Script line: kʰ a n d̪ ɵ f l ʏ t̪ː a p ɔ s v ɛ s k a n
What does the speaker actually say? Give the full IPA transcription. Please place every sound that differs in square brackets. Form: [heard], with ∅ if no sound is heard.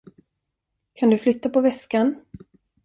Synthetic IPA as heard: kʰ a n d̪ ɵ f l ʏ t̪ː a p ɔ [∅] v ɛ s k a n